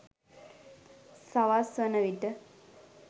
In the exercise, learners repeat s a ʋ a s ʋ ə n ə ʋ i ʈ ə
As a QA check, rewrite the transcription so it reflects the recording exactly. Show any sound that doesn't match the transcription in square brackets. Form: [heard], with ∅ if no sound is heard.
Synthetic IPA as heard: s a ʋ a s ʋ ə n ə ʋ i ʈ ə